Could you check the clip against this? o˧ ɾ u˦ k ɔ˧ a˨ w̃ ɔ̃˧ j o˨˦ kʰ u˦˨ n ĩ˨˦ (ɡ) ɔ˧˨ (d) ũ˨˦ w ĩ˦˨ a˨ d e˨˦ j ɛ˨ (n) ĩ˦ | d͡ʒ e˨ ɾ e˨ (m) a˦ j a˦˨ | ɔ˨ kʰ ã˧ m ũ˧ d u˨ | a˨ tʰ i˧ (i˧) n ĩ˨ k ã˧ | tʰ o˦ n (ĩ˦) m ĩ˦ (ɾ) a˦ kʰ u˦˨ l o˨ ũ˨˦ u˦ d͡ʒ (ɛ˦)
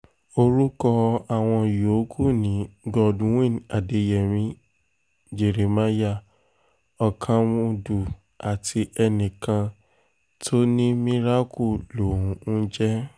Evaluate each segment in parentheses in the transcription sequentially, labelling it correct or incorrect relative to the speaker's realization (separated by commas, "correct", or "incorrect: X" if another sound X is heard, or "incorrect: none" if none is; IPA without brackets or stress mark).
correct, correct, incorrect: m, correct, incorrect: ɛ˧, correct, correct, correct